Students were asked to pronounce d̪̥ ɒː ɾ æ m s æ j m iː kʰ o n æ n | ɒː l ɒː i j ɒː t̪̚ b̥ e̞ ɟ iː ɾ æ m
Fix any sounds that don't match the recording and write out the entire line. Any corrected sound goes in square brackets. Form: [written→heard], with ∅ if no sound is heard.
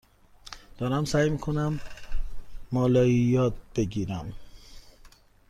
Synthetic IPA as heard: d̪̥ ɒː ɾ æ m s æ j m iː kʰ o n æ [n→m] | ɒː l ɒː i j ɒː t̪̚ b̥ e̞ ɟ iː ɾ æ m